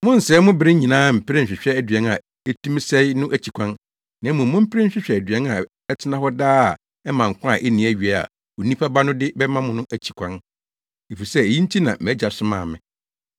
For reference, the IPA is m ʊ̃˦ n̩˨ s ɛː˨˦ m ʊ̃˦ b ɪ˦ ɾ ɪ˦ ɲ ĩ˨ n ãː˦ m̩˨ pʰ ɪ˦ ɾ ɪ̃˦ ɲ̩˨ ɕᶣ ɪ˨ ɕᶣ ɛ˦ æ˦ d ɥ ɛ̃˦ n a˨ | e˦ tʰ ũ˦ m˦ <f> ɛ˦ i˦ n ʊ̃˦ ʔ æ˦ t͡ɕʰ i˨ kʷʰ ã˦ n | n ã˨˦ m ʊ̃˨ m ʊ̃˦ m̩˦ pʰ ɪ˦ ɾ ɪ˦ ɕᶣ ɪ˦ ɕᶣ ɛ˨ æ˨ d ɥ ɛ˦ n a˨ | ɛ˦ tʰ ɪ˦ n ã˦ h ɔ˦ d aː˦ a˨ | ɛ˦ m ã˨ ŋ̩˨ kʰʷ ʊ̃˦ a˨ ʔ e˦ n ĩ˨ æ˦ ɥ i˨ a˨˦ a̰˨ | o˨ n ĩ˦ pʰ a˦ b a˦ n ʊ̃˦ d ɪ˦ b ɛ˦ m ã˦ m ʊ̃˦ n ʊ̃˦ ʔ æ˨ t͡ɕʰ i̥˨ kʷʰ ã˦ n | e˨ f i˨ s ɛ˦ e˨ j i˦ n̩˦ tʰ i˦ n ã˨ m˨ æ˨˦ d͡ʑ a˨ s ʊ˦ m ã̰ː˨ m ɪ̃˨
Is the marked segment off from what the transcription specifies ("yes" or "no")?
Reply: yes